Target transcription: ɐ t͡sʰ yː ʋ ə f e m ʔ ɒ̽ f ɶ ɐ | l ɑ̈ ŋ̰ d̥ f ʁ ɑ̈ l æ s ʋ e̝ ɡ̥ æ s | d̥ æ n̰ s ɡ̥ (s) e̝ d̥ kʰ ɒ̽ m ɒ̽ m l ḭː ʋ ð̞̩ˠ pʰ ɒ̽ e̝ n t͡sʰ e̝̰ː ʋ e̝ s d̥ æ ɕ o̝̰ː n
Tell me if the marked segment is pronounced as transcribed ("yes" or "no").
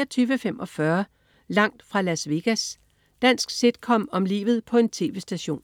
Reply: yes